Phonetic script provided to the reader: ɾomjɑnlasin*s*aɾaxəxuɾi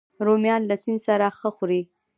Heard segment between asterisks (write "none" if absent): s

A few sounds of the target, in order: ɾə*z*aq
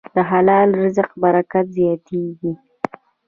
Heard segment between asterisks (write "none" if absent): z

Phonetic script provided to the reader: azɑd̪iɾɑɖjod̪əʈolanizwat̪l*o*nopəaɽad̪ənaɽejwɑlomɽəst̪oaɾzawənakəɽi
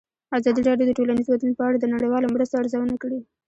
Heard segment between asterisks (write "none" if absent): u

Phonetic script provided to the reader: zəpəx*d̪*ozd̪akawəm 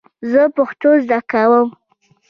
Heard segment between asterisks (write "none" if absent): t̪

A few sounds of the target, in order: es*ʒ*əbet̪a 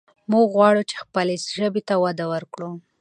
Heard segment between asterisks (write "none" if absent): ʒ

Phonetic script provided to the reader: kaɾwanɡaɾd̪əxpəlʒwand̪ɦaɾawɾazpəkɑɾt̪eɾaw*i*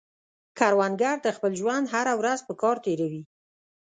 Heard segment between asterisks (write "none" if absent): i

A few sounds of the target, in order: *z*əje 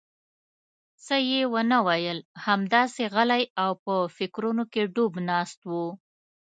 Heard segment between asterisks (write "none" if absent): s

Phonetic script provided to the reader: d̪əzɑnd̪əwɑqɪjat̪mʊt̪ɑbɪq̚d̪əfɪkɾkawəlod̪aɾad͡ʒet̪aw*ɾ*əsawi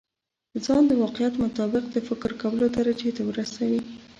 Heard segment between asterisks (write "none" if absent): ɾ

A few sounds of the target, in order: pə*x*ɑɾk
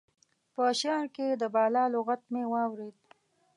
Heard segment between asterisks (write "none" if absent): ʃ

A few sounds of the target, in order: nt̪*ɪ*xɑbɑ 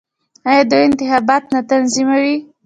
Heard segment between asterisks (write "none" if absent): ɪ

